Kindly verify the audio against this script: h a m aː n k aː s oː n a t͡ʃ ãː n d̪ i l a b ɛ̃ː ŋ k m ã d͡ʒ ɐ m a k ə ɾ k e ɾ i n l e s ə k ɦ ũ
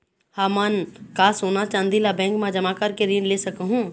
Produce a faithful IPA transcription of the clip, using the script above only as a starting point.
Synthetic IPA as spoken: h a m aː n k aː s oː n a t͡ʃ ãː n d̪ i l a b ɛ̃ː ŋ k m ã d͡ʒ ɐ m a k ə ɾ k e ɾ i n l e s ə k ɦ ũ